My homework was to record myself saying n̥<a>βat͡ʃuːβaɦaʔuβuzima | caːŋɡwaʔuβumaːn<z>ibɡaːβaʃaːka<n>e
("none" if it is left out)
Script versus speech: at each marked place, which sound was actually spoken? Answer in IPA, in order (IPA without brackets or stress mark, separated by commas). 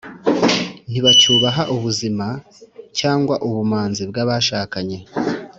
i, z, ɲ